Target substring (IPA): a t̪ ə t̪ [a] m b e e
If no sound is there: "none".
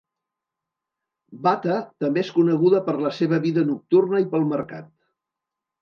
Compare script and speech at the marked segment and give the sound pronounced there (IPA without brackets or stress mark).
ə